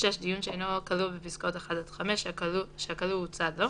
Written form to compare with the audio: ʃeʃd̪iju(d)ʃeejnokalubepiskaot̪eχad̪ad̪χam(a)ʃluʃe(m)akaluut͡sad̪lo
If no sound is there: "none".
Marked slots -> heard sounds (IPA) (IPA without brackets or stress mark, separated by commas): n, e, none